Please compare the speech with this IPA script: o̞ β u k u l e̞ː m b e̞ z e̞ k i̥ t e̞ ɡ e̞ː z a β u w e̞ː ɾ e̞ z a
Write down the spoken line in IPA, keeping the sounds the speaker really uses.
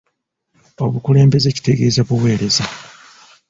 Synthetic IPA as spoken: o̞ β u k u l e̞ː m b e̞ z e̞ c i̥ t e̞ ɡ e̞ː z a β u w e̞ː ɾ e̞ z a